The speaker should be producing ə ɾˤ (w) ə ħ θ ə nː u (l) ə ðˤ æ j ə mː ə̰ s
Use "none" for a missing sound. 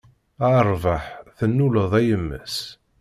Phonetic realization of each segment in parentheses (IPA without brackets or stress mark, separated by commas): v, l